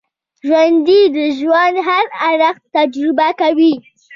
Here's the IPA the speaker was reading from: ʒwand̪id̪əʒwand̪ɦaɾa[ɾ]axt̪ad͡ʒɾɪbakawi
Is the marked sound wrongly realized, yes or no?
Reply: no